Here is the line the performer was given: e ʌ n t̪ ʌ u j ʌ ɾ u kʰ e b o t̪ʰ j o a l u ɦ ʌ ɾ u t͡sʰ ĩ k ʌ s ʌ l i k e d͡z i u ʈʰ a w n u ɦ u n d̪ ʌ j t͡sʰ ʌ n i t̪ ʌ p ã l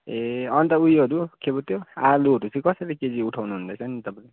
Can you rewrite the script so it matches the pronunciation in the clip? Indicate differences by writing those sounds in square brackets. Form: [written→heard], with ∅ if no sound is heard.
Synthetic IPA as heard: e ʌ n t̪ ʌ u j ʌ ɾ u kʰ e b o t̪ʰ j o a l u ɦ ʌ ɾ u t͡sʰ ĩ k ʌ s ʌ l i k e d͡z i u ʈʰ a w n u ɦ u n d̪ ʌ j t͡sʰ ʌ n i t̪ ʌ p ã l